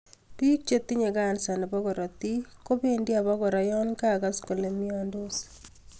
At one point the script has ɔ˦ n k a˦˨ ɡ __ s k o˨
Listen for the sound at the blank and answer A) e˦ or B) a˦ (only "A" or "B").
B